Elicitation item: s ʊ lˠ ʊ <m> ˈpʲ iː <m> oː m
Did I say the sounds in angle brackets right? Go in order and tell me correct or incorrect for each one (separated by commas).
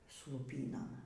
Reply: incorrect, incorrect